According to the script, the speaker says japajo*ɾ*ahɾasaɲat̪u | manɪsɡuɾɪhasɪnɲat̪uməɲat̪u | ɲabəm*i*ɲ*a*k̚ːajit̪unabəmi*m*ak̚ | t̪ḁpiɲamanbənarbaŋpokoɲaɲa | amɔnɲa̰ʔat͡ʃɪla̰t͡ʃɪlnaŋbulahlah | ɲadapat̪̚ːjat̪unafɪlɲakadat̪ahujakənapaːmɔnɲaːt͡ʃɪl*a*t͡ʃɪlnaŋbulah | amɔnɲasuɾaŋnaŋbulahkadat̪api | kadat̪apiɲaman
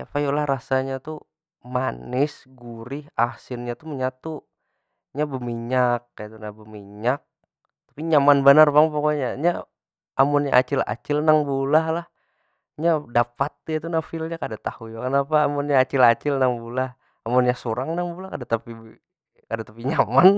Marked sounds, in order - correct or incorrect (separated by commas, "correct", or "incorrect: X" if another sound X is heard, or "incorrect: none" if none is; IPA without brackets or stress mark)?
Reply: incorrect: l, correct, correct, incorrect: ɲ, correct